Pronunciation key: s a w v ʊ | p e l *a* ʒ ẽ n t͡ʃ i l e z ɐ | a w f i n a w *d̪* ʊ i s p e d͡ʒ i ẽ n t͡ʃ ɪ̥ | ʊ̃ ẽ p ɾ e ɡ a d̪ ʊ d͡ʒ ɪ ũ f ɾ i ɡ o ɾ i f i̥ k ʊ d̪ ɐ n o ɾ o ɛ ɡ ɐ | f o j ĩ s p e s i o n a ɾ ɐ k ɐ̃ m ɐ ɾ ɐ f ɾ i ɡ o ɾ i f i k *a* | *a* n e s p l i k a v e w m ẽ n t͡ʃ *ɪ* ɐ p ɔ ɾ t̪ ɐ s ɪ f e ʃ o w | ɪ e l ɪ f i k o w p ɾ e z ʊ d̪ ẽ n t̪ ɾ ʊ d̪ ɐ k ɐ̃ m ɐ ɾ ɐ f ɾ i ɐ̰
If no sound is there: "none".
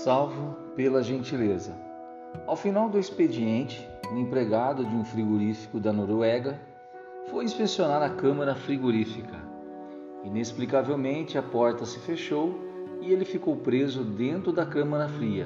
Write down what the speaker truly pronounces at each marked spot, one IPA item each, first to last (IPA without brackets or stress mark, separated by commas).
ɐ, d̪, ɐ, i, ɪ